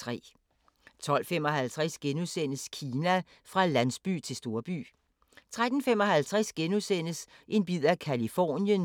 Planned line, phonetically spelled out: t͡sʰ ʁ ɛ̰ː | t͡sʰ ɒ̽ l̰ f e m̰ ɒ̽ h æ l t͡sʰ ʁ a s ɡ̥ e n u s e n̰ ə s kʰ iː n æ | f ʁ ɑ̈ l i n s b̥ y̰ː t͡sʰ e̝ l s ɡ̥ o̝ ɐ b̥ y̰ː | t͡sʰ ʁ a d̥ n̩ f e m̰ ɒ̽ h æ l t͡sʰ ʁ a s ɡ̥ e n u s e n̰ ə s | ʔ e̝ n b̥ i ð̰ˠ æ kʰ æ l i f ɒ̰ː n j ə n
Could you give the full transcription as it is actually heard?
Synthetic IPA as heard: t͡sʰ ʁ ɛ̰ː | t͡sʰ ɒ̽ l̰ f e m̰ ɒ̽ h æ l t͡sʰ ʁ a s ɡ̥ e n u s e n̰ ə s kʰ iː n æ | f ʁ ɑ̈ l æ n s b̥ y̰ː t͡sʰ e̝ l s d̥ o̝ ɐ b̥ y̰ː | t͡sʰ ʁ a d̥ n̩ f e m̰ ɒ̽ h æ l t͡sʰ ʁ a s ɡ̥ e n u s e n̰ ə s | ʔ e̝ n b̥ i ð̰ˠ æ kʰ æ l i f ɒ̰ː n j ə n